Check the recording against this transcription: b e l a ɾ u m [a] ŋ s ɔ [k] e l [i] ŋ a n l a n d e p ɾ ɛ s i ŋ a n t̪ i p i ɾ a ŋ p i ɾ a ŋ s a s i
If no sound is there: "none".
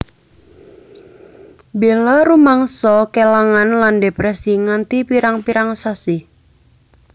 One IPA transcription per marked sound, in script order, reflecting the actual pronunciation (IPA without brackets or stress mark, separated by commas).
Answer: a, k, a